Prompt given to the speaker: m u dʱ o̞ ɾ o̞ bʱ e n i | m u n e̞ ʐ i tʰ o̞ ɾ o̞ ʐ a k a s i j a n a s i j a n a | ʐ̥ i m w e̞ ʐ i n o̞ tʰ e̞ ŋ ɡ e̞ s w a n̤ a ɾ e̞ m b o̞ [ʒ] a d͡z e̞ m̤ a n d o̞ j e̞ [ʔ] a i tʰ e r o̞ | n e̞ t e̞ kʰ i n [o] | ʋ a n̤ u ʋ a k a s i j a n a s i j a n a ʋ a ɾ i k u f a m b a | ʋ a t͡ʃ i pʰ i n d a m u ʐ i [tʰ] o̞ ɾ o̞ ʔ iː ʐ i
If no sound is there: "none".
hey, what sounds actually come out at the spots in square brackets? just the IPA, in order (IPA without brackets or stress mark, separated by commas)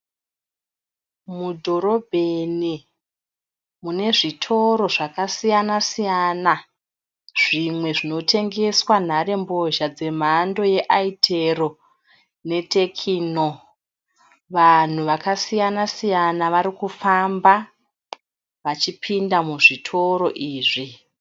ʒ, ʔ, o, tʰ